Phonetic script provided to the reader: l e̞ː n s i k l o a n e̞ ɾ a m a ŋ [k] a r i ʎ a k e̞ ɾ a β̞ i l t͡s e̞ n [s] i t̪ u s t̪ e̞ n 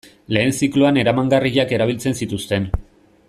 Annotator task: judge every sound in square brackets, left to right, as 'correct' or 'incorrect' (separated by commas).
incorrect, correct